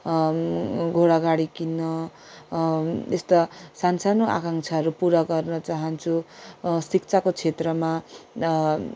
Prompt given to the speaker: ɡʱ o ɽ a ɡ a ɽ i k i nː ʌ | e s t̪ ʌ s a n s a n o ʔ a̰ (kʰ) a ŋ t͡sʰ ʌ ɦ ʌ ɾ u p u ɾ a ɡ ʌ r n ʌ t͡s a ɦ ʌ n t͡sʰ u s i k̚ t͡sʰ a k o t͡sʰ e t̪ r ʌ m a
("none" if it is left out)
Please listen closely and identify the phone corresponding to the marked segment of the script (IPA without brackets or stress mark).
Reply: k